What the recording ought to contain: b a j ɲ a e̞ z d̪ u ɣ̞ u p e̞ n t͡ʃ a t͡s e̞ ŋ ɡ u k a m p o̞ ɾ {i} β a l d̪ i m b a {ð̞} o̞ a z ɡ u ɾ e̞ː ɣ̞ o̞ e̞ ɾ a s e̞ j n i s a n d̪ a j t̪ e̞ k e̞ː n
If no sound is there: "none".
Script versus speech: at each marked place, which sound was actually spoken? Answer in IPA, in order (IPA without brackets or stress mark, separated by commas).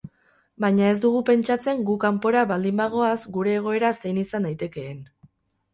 a, ɣ̞